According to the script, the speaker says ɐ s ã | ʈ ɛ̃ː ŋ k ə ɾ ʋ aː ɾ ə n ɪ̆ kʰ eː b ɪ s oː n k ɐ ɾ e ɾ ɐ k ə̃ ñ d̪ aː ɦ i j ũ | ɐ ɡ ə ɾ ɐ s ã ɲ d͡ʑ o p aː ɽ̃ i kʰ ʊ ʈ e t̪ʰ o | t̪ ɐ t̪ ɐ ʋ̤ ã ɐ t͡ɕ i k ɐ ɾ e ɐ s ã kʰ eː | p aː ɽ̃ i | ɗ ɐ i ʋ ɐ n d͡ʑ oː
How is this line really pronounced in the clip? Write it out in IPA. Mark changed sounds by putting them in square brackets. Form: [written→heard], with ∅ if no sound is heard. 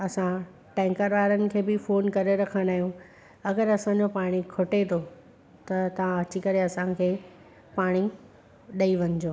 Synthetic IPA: ɐ s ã | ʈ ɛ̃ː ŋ k ə ɾ ʋ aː ɾ ə n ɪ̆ kʰ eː b ɪ [s→f] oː n k ɐ ɾ e ɾ ɐ [k→kʰ] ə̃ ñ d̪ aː ɦ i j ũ | ɐ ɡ ə ɾ ɐ s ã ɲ d͡ʑ o p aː ɽ̃ i kʰ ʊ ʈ e t̪ʰ o | t̪ ɐ t̪ ɐ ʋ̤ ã ɐ t͡ɕ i k ɐ ɾ e ɐ s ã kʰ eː | p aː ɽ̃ i | ɗ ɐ i ʋ ɐ [n→ɲ] d͡ʑ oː